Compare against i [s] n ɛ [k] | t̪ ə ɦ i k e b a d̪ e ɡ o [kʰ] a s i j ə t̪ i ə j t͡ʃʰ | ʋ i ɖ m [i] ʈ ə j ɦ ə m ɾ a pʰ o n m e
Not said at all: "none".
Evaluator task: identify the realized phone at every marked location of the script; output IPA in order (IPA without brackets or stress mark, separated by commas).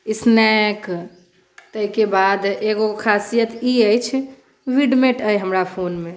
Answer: s, k, kʰ, e